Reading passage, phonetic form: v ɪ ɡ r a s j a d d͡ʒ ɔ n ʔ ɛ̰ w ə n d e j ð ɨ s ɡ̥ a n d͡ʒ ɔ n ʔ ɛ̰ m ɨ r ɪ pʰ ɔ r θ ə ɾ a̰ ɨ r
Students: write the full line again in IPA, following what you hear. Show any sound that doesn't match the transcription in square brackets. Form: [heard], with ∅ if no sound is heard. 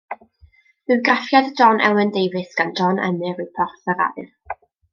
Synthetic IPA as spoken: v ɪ ɡ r a [f] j a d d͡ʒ ɔ n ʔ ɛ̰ w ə n d e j [v] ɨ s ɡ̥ a n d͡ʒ ɔ n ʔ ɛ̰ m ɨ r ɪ pʰ ɔ r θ ə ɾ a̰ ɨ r